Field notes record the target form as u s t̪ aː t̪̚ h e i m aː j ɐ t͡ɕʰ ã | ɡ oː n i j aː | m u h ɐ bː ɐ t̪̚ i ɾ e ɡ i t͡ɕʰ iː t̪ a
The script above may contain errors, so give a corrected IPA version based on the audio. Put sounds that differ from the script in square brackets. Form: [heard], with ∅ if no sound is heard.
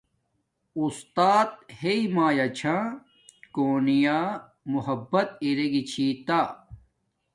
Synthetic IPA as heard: u s t̪ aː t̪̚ h e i m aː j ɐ t͡ɕʰ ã | [k] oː n i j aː | m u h ɐ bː ɐ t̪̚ i ɾ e ɡ i t͡ɕʰ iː t̪ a